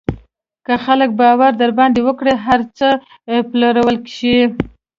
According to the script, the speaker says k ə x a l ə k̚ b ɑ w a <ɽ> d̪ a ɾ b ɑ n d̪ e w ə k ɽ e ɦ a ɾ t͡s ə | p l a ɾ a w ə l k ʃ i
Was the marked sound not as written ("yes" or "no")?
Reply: yes